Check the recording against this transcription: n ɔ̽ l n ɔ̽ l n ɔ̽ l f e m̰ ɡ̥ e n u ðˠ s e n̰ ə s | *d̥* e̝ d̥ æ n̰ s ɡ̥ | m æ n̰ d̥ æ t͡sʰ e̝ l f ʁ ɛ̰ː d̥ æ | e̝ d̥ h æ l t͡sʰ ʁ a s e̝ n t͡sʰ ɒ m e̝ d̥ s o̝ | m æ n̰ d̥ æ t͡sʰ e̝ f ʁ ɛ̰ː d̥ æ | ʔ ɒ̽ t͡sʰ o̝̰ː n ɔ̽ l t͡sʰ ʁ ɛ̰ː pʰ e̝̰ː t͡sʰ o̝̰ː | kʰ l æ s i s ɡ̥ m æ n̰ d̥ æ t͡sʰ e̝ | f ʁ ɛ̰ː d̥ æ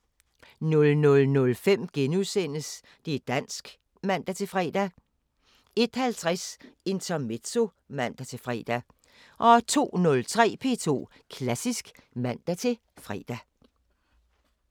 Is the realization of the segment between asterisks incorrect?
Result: no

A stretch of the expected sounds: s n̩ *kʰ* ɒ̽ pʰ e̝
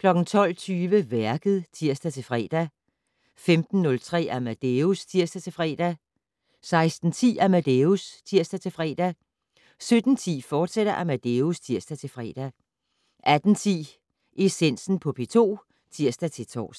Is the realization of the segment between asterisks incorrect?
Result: yes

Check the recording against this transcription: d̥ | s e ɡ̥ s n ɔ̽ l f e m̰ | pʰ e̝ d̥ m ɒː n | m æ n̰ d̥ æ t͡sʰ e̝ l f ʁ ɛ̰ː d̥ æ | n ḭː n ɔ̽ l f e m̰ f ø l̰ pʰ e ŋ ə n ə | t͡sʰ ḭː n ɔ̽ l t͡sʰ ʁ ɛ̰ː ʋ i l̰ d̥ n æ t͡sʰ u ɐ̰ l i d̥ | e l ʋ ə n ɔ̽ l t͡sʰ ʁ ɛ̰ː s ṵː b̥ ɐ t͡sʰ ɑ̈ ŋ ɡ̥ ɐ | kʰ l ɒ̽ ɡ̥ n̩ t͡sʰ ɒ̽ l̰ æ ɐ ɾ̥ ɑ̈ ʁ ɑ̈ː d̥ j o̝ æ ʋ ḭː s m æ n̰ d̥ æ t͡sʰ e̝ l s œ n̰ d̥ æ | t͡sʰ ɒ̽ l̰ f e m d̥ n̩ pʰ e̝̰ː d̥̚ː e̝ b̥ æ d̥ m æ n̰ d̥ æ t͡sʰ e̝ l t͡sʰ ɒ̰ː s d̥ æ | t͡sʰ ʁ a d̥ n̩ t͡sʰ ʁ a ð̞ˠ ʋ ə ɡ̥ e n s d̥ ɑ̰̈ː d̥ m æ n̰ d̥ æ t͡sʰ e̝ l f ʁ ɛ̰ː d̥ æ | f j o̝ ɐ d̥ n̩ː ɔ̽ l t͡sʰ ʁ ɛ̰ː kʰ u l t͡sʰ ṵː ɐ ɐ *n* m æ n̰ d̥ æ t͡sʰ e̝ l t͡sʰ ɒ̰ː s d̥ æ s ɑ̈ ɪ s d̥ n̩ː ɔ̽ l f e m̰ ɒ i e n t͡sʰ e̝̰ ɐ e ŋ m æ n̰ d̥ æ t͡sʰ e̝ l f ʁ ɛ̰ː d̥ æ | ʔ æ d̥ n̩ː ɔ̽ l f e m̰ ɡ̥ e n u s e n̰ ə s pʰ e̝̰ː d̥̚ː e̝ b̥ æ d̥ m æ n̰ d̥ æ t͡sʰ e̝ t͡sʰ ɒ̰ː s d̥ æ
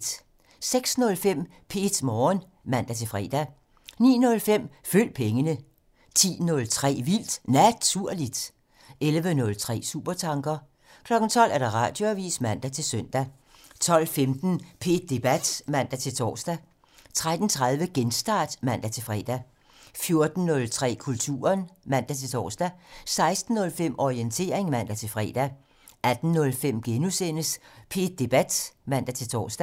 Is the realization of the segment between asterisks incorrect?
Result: no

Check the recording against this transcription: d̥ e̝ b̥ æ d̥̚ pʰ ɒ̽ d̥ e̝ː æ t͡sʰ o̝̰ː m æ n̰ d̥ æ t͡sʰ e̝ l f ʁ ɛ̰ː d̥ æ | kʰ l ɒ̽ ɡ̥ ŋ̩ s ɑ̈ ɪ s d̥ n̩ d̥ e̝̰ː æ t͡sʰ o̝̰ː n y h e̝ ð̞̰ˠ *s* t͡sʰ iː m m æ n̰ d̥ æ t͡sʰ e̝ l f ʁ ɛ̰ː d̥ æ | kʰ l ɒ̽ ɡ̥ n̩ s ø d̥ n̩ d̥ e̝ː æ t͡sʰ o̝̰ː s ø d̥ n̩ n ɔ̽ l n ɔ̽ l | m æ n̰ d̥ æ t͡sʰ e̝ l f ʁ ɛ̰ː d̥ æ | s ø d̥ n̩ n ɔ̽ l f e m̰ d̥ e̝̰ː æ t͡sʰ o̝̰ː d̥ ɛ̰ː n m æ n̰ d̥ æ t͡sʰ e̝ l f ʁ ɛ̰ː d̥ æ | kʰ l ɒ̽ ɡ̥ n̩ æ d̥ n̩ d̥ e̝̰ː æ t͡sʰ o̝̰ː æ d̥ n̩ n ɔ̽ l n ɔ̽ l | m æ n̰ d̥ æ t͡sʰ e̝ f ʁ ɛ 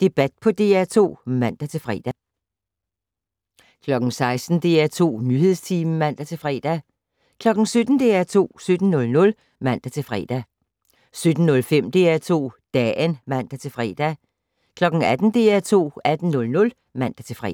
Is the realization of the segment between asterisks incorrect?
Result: no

